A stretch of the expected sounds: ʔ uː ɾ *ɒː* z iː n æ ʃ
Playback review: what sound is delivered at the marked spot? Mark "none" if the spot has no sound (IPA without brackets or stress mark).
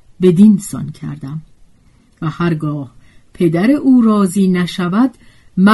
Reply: ɒː